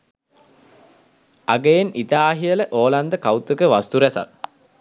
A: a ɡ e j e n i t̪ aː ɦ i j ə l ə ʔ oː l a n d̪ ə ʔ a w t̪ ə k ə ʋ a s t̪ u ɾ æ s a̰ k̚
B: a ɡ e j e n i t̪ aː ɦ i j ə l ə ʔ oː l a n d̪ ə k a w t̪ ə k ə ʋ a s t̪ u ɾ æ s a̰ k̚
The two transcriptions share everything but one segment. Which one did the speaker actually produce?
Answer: B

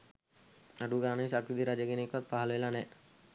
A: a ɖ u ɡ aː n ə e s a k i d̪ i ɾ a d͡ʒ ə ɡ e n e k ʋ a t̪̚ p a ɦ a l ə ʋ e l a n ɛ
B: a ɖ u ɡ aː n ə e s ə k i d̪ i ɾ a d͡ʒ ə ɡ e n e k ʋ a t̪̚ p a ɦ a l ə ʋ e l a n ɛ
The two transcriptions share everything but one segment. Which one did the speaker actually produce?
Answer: A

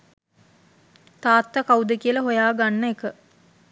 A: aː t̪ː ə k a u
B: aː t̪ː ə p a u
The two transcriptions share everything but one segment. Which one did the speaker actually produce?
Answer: A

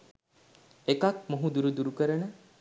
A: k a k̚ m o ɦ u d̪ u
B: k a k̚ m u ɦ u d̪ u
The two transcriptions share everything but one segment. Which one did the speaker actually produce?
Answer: A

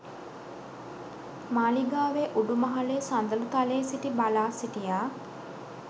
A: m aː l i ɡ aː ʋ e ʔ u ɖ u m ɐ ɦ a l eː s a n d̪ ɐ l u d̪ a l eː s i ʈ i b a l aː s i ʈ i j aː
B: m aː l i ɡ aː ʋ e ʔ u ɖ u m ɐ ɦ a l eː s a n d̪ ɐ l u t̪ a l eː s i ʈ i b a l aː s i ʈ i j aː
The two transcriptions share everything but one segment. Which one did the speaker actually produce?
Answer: B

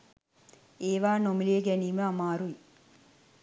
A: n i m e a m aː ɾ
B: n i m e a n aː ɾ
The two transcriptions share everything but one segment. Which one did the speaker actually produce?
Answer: A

